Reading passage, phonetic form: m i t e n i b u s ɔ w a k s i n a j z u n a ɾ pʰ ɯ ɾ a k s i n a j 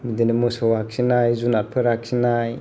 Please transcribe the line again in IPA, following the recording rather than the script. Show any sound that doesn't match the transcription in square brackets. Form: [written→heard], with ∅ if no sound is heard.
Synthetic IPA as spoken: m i [t→d] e n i [b→m] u s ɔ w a k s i n a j z u n a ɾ pʰ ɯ ɾ a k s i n a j

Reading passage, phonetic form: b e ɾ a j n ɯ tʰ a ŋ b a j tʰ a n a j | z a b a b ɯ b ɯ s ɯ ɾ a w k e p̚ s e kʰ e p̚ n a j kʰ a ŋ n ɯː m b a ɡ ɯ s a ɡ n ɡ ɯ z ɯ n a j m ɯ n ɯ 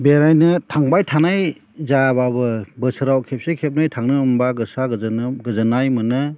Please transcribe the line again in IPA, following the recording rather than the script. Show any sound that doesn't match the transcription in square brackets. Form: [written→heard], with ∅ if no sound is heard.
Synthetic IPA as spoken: b e ɾ a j n ɯ tʰ a ŋ b a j tʰ a n a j | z a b a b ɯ b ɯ s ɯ ɾ a w [k→kʰ] e p̚ s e kʰ e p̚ n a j [kʰ→tʰ] a ŋ n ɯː m b a ɡ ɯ s a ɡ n ɡ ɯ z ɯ n a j m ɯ n ɯ

